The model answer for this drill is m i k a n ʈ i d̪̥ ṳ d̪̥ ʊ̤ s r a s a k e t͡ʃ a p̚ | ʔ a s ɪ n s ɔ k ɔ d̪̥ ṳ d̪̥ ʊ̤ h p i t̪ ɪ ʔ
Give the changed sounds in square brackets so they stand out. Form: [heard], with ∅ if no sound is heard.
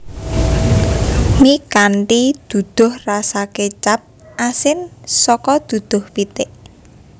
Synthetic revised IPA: m i k a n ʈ i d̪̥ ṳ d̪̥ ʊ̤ [h] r a s a k e t͡ʃ a p̚ | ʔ a s ɪ n s ɔ k ɔ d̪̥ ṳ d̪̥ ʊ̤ h p i t̪ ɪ ʔ